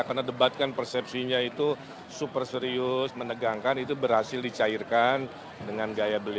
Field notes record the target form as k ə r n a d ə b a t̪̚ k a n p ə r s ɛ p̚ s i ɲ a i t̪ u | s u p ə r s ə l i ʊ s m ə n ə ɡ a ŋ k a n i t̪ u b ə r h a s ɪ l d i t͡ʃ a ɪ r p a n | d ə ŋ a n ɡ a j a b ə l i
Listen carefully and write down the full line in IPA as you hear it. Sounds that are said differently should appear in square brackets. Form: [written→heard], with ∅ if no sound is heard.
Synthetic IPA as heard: k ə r n a d ə b a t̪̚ k a n p ə r s ɛ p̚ s i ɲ a i t̪ u | s u p ə r s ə [l→ɾ] i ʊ s m ə n ə ɡ a ŋ k a n i t̪ u b ə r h a s ɪ l d i t͡ʃ a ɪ r [p→k] a n | d ə ŋ a n ɡ a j a b ə l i

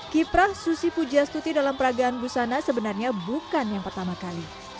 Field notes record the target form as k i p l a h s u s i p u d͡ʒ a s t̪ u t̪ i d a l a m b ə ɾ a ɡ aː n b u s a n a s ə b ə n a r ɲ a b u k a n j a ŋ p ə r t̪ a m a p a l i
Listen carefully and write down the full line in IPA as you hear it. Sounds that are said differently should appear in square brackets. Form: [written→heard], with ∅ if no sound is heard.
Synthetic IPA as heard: k i p [l→ɾ] a h s u s i p u d͡ʒ a s t̪ u t̪ i d a l a m [b→p] ə ɾ a ɡ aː n b u s a n a s ə b ə n a r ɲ a b u k a n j a ŋ p ə r t̪ a m a [p→k] a l i

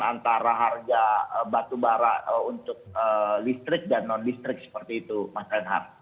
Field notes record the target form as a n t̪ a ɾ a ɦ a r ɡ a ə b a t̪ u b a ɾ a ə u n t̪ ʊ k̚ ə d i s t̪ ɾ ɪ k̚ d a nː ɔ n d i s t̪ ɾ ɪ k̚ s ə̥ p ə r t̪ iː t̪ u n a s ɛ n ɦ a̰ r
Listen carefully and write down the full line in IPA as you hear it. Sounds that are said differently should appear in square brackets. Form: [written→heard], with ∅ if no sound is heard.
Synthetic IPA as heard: a n t̪ a ɾ a ɦ a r ɡ a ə b a t̪ u b a ɾ a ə u n t̪ ʊ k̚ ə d i s t̪ ɾ ɪ k̚ d a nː ɔ n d i s t̪ ɾ ɪ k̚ s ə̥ p ə r t̪ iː t̪ u [n→m] a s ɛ n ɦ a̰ r

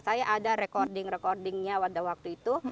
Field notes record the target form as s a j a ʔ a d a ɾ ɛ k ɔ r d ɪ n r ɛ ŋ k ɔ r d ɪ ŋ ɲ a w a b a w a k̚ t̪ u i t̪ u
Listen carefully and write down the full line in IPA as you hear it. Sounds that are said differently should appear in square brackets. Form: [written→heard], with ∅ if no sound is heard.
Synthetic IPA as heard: s a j a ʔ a d a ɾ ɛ k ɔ r d ɪ [n→ŋ] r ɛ [ŋ→∅] k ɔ r d ɪ ŋ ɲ a w a [b→d] a w a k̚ t̪ u i t̪ u

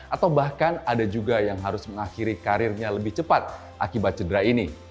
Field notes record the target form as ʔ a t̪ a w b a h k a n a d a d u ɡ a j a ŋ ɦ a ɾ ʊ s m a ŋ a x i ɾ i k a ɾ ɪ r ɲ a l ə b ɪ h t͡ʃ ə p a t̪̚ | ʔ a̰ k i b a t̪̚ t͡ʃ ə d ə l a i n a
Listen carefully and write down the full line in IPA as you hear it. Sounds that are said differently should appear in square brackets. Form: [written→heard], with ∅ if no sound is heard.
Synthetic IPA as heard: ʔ a t̪ a w b a h k a n a d a [d→d͡ʒ] u ɡ a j a ŋ ɦ a ɾ ʊ s m [a→ə] ŋ a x i ɾ i k a ɾ ɪ r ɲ a l ə b ɪ h t͡ʃ ə p a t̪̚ | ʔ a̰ k i b a t̪̚ t͡ʃ ə d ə [l→ɾ] a i n [a→i]

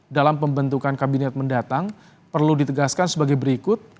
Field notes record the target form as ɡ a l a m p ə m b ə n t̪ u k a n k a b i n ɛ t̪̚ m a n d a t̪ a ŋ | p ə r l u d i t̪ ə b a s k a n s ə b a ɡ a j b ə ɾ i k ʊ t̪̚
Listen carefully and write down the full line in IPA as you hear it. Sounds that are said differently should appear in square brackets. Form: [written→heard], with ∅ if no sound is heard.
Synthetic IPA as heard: [ɡ→d] a l a m p ə m b ə n t̪ u k a n k a b i n ɛ t̪̚ m [a→ə] n d a t̪ a ŋ | p ə r l u d i t̪ ə [b→ɡ] a s k a n s ə b a ɡ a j b ə ɾ i k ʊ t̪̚

